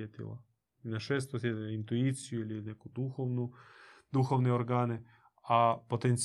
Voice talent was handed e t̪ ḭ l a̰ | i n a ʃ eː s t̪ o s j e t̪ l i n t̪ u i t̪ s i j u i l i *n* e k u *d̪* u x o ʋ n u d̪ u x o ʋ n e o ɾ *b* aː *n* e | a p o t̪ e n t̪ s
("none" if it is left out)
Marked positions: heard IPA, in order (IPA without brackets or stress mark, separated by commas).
n, d̪, ɡ, n